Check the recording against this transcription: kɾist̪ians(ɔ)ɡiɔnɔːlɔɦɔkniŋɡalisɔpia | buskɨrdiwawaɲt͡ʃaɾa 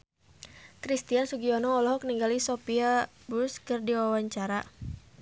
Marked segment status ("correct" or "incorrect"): incorrect